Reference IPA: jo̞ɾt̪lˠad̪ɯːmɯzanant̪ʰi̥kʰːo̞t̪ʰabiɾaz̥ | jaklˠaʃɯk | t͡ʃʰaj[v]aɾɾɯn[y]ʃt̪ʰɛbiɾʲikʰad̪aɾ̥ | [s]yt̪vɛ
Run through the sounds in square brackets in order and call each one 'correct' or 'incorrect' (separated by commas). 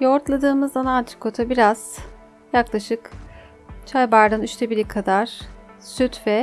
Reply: incorrect, correct, correct